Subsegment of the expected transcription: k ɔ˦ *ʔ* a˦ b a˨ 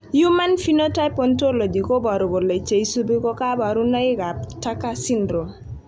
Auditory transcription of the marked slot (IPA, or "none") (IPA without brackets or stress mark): k